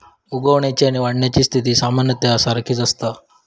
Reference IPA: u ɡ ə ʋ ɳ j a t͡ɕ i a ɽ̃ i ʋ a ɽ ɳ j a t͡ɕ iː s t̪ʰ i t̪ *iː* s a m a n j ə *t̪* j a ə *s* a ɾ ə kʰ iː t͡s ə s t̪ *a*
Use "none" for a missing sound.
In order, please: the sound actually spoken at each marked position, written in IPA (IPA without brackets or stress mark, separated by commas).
iː, t̪, s, a